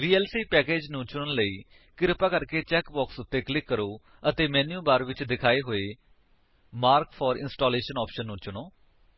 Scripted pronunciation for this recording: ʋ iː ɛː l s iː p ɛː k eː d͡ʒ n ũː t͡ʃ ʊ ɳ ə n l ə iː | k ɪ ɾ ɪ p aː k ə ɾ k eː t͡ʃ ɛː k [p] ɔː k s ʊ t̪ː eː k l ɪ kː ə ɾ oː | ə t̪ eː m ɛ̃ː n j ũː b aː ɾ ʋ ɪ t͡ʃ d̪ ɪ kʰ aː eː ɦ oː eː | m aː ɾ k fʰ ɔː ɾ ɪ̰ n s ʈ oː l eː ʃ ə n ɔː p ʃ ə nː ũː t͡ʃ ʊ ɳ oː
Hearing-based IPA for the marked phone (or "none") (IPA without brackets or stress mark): b